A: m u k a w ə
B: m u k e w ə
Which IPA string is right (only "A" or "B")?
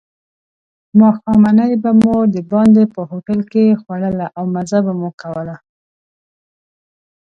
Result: A